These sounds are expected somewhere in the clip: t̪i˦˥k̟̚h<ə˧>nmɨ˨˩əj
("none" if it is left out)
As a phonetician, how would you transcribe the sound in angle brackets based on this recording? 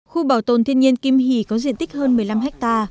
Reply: əː˧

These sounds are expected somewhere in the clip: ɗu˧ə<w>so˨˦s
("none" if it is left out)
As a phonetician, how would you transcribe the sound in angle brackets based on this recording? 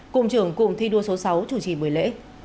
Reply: none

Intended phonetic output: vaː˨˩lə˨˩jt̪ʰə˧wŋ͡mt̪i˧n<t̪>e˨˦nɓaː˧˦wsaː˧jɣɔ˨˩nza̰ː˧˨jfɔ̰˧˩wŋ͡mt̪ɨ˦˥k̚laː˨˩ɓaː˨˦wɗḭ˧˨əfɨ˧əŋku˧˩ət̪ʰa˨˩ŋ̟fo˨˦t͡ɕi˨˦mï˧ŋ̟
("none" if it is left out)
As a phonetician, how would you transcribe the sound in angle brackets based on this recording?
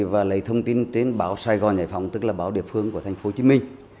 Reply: t̪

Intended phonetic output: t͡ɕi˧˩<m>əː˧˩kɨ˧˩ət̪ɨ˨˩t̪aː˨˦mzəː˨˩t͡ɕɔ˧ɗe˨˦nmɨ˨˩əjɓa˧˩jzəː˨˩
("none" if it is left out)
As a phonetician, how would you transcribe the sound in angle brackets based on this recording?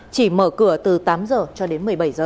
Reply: m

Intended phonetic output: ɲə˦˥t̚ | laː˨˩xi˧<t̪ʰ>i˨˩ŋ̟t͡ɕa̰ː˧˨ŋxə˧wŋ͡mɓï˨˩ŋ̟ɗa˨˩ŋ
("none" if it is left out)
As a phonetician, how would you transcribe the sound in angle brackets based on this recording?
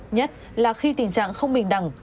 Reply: t̪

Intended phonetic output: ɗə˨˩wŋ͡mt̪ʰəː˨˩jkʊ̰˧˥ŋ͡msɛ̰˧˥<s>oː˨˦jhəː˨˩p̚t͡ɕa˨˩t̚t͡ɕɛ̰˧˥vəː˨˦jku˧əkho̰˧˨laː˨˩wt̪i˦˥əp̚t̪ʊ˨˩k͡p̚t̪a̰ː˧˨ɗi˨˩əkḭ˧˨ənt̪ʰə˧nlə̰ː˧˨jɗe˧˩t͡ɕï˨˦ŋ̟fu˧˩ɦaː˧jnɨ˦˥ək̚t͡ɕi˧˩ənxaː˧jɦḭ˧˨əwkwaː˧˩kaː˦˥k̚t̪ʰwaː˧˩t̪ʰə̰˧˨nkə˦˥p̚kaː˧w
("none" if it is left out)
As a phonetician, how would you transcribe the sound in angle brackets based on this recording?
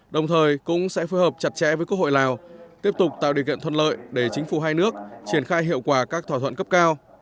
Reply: f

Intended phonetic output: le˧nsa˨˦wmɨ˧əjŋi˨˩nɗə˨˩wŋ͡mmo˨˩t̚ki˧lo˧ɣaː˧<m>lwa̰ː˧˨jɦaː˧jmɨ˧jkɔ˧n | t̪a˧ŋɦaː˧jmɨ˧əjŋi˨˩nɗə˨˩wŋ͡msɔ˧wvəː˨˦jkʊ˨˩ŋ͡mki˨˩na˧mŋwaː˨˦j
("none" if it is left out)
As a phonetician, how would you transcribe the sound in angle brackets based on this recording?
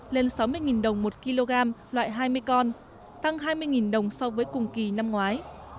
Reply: m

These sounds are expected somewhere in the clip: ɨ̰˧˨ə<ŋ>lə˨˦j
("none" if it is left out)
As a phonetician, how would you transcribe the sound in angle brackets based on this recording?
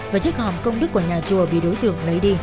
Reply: ŋ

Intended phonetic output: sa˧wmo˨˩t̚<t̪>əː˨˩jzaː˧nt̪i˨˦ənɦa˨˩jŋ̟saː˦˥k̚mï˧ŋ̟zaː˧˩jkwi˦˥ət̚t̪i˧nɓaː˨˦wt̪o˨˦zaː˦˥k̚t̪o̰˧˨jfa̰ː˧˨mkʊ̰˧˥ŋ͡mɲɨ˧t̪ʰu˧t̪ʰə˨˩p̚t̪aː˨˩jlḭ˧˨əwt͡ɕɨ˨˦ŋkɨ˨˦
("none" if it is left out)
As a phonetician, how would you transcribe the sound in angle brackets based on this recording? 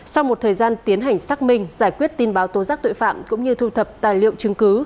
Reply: t̪ʰ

